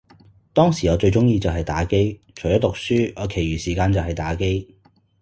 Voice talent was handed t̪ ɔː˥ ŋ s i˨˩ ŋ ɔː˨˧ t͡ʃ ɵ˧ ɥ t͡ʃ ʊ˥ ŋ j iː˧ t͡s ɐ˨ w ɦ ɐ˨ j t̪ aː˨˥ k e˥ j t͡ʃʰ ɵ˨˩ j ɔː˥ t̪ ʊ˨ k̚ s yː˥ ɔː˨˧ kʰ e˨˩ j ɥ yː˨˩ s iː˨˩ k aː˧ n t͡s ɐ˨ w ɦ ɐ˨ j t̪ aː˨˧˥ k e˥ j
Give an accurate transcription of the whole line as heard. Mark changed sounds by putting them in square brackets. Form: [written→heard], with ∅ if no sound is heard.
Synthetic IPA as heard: t̪ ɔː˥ ŋ s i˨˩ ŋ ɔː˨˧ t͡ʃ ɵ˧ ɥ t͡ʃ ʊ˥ ŋ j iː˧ t͡s ɐ˨ w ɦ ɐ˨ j t̪ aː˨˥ k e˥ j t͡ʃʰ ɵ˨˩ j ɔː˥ t̪ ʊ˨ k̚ s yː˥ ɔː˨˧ kʰ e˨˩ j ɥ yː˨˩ s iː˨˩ k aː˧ n t͡s ɐ˨ w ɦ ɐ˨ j t̪ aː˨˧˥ k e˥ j